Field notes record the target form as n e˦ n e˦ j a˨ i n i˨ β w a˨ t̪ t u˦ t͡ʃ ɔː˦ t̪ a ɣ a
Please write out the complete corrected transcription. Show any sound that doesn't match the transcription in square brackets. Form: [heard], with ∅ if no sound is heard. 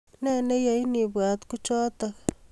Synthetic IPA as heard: n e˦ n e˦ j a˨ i n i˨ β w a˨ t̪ [k] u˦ t͡ʃ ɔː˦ t̪ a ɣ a